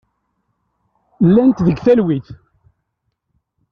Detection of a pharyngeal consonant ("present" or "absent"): absent